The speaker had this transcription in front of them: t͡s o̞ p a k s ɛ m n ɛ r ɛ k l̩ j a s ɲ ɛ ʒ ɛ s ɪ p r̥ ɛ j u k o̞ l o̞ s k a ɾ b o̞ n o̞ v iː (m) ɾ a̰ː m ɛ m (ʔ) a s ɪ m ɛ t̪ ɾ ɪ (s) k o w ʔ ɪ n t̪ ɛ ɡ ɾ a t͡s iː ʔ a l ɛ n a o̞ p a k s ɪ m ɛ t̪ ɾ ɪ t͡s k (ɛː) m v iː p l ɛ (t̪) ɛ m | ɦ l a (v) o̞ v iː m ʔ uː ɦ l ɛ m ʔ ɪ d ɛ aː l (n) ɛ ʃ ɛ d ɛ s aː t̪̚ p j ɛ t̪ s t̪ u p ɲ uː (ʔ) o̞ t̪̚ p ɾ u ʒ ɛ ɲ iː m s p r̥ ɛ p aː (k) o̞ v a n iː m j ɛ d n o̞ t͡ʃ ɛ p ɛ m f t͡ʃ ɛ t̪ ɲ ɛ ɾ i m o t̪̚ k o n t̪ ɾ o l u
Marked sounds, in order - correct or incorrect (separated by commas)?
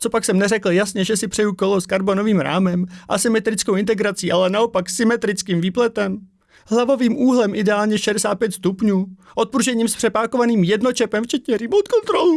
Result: correct, correct, incorrect, incorrect, correct, correct, incorrect, correct, correct